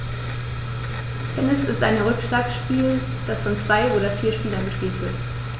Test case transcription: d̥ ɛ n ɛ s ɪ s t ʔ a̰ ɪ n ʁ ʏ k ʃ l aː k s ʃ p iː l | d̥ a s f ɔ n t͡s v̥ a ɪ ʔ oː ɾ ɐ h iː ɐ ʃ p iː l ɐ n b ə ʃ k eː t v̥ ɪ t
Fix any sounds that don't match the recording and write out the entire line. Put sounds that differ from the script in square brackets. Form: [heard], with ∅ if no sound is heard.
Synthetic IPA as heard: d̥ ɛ n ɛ s ɪ s t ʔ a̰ ɪ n ʁ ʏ k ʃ l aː k s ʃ p iː l | d̥ a s f ɔ n t͡s v̥ a ɪ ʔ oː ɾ ɐ [f] iː ɐ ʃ p iː l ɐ n b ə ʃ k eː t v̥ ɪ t